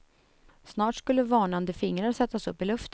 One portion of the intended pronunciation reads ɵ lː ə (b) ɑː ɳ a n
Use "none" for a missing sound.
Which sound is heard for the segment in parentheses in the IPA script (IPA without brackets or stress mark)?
v